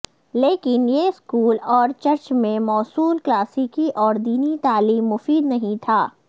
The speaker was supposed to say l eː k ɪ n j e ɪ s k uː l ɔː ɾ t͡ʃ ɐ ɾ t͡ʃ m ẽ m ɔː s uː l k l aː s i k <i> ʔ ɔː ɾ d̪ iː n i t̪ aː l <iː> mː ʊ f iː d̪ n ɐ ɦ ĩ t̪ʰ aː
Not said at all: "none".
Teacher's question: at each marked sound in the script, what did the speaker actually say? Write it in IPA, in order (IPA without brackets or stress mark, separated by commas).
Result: i, iː